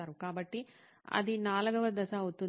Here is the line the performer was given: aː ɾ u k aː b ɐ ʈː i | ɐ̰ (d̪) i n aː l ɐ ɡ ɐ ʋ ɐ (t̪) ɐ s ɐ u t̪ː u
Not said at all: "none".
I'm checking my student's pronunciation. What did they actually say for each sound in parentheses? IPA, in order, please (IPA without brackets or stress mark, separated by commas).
d̪, d̪